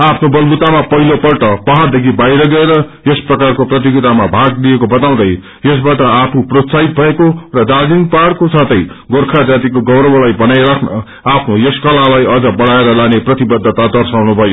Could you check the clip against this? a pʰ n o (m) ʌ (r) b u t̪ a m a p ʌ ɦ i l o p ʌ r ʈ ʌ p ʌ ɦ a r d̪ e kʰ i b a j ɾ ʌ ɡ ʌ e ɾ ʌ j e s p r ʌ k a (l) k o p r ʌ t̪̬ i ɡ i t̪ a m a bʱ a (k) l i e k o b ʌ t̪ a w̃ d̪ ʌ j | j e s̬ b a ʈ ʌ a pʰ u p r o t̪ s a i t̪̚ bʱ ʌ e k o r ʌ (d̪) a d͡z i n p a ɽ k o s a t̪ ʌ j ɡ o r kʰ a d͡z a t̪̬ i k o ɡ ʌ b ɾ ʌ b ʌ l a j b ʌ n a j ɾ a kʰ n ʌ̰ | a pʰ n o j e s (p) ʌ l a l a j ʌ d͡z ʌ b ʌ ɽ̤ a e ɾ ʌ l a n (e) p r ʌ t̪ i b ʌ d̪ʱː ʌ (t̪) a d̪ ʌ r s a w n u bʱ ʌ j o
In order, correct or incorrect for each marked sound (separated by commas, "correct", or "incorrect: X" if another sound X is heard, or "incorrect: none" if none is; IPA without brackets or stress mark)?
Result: incorrect: b, incorrect: l, incorrect: r, incorrect: ɡ, correct, incorrect: k, correct, correct